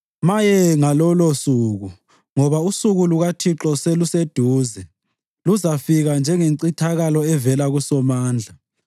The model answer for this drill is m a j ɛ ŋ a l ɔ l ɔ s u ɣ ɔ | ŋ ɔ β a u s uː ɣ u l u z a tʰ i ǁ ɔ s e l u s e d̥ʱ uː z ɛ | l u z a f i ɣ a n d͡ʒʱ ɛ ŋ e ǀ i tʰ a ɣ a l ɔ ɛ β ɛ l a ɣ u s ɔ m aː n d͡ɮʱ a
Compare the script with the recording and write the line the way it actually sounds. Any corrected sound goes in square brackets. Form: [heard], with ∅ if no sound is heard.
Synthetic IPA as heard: m a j ɛ ŋ a l ɔ l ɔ s u ɣ [u] | ŋ ɔ β a u s [u] ɣ u l u [ɣ] a tʰ i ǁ ɔ s e l u s e d̥ʱ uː z ɛ | l u z a f i ɣ a n d͡ʒʱ ɛ ŋ e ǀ i tʰ a ɣ a l ɔ ɛ [v] ɛ l a ɣ u s ɔ m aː n d͡ɮʱ a